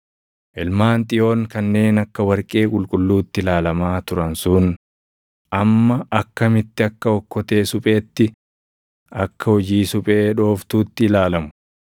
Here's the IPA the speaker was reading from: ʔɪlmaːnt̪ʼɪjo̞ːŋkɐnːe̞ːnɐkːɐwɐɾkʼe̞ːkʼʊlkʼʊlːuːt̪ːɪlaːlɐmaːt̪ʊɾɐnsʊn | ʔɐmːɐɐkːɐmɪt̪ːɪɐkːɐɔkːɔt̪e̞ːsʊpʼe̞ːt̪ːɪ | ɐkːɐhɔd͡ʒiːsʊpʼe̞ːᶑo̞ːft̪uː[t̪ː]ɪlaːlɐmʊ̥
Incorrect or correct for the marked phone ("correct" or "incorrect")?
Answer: correct